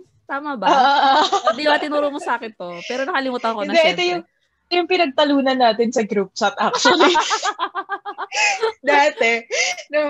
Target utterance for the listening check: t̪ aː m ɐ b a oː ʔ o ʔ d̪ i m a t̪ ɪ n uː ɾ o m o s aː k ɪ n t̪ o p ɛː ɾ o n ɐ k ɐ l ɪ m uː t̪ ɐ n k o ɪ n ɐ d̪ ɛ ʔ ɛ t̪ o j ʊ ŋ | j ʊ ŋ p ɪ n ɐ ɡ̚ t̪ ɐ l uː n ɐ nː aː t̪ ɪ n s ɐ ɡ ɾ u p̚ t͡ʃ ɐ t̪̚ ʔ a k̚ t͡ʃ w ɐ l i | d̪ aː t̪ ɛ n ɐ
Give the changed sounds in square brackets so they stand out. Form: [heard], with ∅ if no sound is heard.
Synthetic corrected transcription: t̪ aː m ɐ b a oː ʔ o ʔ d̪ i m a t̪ ɪ n uː ɾ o m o s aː k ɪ n t̪ o p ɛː ɾ o n ɐ k ɐ l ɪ m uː t̪ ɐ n k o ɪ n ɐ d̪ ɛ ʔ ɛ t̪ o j ʊ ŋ | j ʊ ŋ p ɪ n ɐ ɡ̚ t̪ ɐ l uː n ɐ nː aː t̪ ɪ n s ɐ ɡ ɾ u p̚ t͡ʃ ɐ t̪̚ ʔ a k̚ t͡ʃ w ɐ l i | d̪ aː t̪ ɛ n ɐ